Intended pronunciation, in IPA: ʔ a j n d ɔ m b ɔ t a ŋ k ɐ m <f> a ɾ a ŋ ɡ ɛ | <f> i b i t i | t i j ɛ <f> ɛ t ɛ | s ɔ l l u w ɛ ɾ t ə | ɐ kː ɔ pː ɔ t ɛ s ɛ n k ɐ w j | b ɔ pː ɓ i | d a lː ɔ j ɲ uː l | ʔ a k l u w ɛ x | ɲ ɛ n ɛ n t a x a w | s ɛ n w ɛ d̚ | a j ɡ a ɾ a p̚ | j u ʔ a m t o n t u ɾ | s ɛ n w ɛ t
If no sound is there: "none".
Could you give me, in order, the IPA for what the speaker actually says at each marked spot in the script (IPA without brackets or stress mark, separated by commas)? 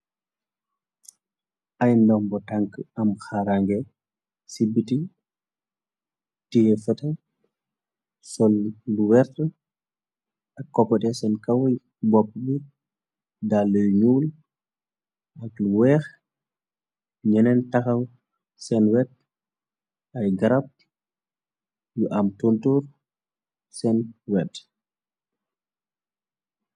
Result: x, s, f